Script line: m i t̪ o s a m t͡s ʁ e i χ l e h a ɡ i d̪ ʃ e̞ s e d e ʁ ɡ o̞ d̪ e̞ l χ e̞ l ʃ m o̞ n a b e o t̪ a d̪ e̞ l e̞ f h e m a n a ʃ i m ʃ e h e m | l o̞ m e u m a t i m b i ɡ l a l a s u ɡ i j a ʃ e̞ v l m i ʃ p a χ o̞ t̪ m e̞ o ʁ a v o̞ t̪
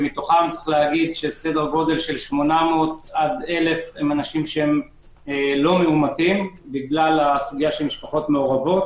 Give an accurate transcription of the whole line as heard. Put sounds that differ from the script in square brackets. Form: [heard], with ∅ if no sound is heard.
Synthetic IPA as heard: m i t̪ o [χ] a m t͡s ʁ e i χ l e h a ɡ i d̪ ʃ e̞ s e d e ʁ ɡ o̞ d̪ e̞ l [ʃ] e̞ l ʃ m o̞ n a [m] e o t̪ a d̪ e̞ l e̞ f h e m a n a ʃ i m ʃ e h e m | l o̞ m e u m a t i m b i ɡ l a l a s u ɡ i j a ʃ e̞ [∅] l m i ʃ p a χ o̞ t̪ m e̞ o ʁ a v o̞ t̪